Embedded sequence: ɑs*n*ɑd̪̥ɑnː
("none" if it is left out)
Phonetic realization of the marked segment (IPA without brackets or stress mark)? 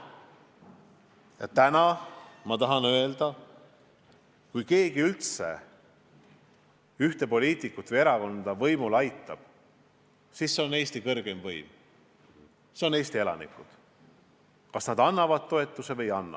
n